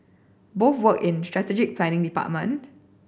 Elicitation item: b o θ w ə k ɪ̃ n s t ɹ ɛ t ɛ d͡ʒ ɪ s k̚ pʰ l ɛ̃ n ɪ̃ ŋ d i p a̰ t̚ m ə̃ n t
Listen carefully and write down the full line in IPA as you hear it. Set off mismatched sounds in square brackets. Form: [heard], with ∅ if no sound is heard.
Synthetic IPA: b o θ w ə k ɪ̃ n s t ɹ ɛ t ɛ d͡ʒ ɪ [∅] k̚ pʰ l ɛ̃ n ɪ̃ ŋ d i p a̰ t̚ m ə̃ n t